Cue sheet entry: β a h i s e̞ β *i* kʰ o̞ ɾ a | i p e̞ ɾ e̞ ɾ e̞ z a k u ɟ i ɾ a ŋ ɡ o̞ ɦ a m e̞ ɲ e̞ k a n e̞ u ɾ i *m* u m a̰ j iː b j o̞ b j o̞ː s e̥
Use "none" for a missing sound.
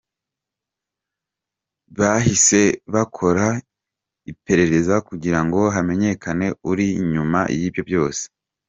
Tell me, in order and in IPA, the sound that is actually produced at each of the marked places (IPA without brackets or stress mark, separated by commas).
a, ɲ